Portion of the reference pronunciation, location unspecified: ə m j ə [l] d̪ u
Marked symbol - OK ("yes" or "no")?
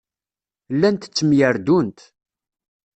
no